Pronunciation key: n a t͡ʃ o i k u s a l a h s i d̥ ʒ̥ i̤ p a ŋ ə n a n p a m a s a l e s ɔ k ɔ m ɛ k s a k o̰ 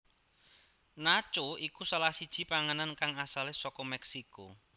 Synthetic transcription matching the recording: n a t͡ʃ o i k u s a l a h s i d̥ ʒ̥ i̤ p a ŋ ə n a n k a ŋ a s a l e s ɔ k ɔ m ɛ k s i k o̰